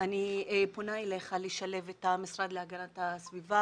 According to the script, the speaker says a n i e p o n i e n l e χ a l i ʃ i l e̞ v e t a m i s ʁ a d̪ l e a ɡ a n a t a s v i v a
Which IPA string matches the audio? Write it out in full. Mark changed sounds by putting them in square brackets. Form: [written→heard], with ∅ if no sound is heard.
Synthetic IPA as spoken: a n i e p o n [i→a] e [n→∅] l e χ a l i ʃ [i→a] l e̞ v e t a m i s ʁ a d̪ l e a ɡ a n a t a s v i v a